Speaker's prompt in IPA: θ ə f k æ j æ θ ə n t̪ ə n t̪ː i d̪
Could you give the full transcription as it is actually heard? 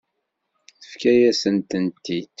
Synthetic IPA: θ ə f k æ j æ s ə n t̪ ə n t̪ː i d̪